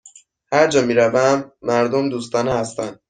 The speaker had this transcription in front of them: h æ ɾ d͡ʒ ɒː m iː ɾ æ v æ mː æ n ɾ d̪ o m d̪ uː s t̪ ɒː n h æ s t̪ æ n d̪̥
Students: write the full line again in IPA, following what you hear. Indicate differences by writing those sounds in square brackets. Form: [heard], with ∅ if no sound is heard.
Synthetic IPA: h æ ɾ d͡ʒ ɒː m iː ɾ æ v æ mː æ [∅] ɾ d̪ o m d̪ uː s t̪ ɒː n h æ s t̪ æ n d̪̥